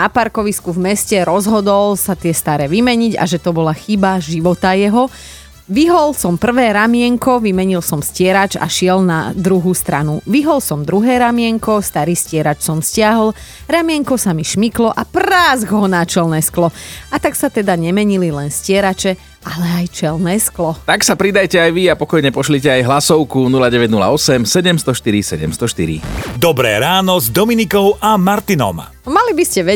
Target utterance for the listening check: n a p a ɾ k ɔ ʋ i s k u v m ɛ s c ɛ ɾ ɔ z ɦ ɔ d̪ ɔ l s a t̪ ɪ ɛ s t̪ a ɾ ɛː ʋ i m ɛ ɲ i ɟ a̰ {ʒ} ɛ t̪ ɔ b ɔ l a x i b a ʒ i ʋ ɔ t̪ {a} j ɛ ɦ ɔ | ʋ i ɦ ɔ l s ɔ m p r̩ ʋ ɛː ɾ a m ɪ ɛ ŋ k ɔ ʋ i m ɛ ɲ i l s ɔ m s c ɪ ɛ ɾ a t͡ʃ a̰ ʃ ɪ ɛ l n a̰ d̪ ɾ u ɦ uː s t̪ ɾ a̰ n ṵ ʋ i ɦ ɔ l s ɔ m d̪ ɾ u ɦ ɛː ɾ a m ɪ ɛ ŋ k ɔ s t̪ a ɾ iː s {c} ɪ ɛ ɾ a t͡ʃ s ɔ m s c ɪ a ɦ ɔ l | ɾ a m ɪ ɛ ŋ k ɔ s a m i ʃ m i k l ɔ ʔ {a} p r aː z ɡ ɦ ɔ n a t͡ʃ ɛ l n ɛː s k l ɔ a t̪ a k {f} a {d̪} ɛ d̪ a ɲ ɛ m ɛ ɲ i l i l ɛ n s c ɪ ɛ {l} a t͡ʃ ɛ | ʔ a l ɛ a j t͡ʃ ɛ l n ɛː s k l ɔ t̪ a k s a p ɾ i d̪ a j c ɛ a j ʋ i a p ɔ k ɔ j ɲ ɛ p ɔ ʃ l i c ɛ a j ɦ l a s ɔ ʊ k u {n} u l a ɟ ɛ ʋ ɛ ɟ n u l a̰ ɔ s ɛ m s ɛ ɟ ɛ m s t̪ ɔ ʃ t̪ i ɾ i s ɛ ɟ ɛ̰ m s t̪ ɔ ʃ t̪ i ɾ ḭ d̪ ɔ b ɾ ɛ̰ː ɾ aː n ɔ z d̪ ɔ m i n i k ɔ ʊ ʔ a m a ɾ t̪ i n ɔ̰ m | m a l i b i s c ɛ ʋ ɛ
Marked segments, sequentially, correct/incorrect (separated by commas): correct, correct, correct, correct, incorrect, incorrect, incorrect, correct